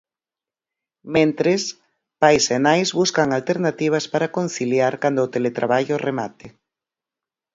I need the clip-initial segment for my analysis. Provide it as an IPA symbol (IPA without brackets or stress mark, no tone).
m